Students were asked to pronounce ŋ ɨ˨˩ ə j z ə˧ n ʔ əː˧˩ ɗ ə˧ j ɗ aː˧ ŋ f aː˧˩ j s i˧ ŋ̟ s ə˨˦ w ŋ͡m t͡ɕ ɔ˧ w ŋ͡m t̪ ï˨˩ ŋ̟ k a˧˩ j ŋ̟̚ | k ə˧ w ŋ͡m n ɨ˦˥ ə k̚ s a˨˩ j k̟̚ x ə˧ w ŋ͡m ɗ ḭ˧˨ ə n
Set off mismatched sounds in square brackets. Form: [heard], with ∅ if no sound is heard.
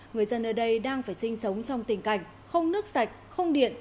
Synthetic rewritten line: ŋ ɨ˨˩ ə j z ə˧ n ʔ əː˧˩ ɗ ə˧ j ɗ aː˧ ŋ f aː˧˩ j s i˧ ŋ̟ s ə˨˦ w ŋ͡m t͡ɕ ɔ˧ w ŋ͡m t̪ ï˨˩ ŋ̟ k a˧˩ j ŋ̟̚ | [x] ə˧ w ŋ͡m n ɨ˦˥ ə k̚ s a˨˩ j k̟̚ x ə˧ w ŋ͡m ɗ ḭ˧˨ ə n